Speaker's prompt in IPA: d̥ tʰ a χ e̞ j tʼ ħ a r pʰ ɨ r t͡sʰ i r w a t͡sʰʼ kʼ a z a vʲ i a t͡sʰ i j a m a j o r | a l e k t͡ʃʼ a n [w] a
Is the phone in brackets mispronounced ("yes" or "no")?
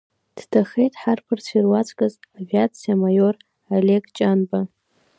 yes